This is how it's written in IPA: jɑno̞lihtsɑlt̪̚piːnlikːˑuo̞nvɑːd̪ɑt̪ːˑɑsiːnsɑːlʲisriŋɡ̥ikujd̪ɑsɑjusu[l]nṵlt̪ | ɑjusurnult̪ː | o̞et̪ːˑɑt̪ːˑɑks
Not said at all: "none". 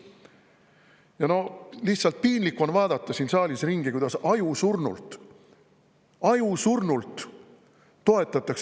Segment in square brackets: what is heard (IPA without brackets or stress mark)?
r